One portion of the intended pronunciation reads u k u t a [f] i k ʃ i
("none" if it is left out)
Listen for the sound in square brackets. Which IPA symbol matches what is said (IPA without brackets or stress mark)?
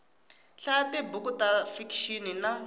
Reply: f